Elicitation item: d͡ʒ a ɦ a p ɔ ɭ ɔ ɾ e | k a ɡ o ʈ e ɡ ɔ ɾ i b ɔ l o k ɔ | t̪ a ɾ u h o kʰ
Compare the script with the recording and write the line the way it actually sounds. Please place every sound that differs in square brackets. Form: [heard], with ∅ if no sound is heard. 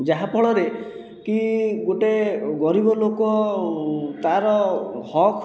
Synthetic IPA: d͡ʒ a ɦ a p ɔ ɭ ɔ ɾ e | k [i] ɡ o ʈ e ɡ ɔ ɾ i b ɔ l o k ɔ | t̪ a ɾ [ɔ] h [ɔ] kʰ